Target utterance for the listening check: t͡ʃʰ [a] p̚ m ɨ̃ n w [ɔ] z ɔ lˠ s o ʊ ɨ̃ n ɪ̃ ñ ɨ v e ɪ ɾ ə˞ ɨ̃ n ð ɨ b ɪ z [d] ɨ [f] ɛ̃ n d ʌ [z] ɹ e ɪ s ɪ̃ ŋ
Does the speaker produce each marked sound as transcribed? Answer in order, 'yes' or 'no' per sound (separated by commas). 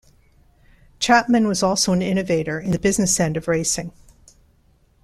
no, no, no, no, no